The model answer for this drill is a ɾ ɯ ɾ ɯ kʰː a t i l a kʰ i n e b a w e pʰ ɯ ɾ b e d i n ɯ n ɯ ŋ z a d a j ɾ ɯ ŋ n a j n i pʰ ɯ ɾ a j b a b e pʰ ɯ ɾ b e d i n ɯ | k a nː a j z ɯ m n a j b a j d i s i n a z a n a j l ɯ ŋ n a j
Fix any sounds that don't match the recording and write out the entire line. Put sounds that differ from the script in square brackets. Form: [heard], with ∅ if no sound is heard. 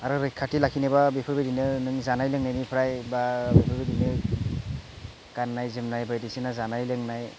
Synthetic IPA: a ɾ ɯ ɾ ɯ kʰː a t i l a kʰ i n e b a [b] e pʰ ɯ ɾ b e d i n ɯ n ɯ ŋ z a [n] a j [l] ɯ ŋ n a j n i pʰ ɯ ɾ a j b a b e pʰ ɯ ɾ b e d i n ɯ | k a nː a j z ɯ m n a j b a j d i s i n a z a n a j l ɯ ŋ n a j